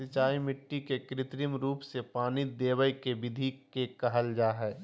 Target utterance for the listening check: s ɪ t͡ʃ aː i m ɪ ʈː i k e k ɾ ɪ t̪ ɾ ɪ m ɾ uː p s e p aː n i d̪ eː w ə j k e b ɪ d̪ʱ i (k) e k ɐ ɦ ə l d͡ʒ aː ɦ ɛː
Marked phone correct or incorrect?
correct